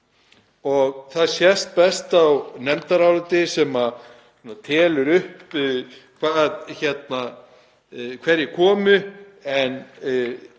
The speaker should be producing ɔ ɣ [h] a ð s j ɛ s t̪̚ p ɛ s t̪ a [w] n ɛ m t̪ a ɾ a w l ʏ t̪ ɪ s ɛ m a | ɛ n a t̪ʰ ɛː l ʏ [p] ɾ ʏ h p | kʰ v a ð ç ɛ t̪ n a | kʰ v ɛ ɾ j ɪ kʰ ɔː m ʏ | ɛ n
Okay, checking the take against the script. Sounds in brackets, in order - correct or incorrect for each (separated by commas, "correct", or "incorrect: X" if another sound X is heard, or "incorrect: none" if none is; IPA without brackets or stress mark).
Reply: incorrect: θ, correct, incorrect: none